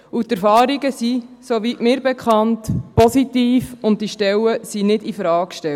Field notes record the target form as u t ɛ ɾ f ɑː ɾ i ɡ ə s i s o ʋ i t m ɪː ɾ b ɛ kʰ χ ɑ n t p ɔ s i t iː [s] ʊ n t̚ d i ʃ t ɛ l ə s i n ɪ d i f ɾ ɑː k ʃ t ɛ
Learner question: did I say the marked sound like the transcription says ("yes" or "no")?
no